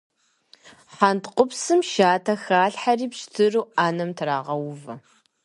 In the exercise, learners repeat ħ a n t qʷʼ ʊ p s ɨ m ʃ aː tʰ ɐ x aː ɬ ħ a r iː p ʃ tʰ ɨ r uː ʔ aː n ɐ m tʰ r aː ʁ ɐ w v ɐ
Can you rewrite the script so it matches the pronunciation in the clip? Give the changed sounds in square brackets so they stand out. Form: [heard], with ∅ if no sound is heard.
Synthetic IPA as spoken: ħ a n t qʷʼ ʊ p s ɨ m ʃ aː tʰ ɐ x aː ɬ ħ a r iː p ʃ tʰ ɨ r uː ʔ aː n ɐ m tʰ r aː ʁ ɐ w v ɐ